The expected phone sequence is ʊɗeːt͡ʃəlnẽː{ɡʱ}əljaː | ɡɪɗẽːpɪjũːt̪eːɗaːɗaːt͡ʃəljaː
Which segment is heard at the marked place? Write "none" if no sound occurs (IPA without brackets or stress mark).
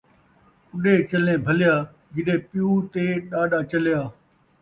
bʱ